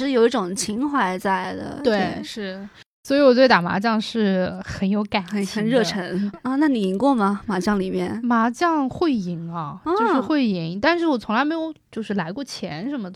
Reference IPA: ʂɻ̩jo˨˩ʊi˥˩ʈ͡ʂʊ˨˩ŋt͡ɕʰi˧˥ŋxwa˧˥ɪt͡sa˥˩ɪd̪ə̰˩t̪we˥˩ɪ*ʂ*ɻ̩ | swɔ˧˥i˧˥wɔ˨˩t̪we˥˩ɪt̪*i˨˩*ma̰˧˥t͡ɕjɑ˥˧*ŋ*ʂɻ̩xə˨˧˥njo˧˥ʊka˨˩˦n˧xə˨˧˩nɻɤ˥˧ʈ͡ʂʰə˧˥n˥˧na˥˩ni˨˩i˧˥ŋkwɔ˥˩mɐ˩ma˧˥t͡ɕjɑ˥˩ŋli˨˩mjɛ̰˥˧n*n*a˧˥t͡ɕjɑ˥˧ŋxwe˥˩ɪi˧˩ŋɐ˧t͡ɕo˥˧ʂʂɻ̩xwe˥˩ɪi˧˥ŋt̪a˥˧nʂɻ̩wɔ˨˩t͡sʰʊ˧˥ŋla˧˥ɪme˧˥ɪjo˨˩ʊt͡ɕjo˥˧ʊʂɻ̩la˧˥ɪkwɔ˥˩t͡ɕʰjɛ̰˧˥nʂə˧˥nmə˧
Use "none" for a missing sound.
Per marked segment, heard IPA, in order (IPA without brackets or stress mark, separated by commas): ʂ, a˨˩, ŋ, m